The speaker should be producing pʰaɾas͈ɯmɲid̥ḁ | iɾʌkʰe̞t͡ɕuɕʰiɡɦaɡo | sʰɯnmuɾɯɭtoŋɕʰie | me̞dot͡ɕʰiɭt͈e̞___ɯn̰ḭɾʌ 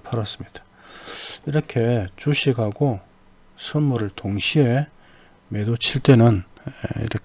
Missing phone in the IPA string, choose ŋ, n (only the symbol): n